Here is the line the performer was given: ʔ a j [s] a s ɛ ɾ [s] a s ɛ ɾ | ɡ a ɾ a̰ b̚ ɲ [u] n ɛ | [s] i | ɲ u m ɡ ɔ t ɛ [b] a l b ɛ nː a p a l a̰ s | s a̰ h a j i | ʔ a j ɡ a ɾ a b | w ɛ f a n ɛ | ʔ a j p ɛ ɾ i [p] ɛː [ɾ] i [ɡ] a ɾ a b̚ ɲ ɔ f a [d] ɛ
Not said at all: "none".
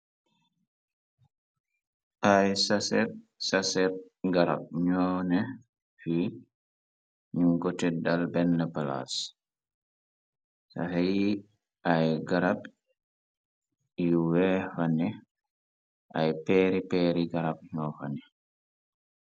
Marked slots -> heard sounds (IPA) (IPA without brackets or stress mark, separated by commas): s, s, ɔ, f, d, p, ɾ, ɡ, n